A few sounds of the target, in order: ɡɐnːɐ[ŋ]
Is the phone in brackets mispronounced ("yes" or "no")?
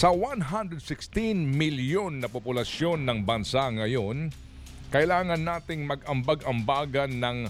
no